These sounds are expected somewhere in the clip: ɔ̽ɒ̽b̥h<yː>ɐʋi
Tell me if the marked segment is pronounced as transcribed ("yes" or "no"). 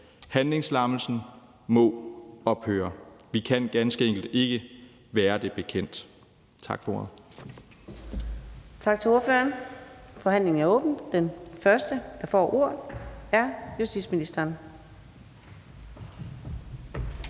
no